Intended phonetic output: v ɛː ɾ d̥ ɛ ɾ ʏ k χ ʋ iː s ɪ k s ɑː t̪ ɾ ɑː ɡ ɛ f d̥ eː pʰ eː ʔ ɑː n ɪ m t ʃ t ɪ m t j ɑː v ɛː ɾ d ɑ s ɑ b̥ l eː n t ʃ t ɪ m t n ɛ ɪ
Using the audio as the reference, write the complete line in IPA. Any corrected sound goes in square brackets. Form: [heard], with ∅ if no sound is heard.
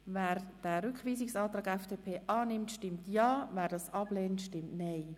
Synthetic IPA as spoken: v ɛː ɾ d̥ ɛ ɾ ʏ k χ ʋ iː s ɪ k s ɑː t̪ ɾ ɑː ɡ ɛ f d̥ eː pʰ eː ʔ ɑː n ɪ m t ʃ t ɪ m t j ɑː v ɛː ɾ d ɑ s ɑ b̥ l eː n t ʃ t ɪ m t n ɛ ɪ